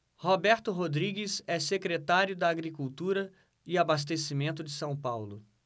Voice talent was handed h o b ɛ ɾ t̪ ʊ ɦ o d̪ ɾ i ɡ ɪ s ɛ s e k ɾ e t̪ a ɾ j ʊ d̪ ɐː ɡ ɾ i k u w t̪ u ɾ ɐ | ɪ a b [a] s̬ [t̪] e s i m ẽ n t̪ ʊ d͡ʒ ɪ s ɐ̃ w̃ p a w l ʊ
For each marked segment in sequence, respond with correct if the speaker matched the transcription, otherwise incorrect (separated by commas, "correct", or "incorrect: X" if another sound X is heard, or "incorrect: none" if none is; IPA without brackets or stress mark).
correct, correct